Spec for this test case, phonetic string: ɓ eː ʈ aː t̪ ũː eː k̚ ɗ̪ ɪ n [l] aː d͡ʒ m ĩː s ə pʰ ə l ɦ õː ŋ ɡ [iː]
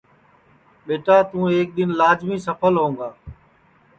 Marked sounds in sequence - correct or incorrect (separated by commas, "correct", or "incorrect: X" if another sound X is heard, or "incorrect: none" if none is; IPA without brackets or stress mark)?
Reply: correct, incorrect: aː